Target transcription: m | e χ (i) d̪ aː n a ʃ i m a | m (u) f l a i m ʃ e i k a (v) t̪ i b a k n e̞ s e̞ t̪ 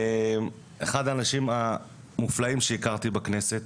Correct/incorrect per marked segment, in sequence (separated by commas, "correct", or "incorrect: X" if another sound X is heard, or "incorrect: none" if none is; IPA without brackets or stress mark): incorrect: a, correct, incorrect: ʁ